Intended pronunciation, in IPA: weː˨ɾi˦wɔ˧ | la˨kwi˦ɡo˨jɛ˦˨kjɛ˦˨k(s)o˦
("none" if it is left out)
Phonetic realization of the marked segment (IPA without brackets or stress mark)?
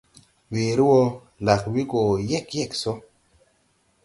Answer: s